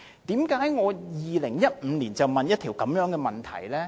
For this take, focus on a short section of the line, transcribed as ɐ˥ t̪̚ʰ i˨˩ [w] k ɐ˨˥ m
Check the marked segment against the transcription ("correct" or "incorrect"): correct